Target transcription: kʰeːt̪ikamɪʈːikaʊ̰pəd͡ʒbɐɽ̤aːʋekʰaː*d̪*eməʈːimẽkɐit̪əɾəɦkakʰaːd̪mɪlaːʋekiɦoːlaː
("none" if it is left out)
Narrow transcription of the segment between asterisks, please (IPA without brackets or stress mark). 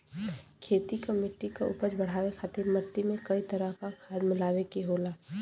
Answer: t̪